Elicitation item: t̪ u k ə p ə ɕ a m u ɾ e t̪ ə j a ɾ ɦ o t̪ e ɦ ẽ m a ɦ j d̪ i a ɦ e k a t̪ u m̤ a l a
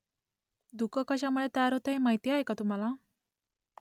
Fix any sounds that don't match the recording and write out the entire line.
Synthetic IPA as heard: d̪ u k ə k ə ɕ a m u ɭ e t̪ ə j a ɾ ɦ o t̪ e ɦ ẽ m a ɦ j t̪ i a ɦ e k a t̪ u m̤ a l a